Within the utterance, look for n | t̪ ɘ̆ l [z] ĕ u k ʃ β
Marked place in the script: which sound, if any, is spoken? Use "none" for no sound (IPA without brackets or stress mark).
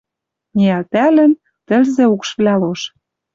z